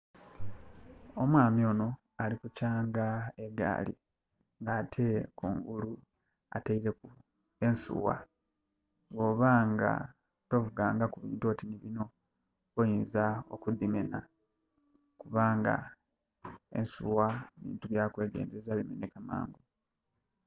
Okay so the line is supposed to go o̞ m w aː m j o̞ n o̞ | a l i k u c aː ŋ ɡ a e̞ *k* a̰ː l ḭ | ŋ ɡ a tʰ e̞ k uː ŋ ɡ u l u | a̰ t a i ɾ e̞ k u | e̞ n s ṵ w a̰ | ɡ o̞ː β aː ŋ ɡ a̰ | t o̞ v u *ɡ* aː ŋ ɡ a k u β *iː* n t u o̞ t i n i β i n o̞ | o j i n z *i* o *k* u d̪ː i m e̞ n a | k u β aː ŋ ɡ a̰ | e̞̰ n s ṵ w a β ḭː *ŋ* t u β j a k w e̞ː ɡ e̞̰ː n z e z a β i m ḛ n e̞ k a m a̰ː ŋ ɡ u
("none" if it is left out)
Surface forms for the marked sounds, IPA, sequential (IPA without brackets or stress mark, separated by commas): ɡ, ɡ, iː, a, k, n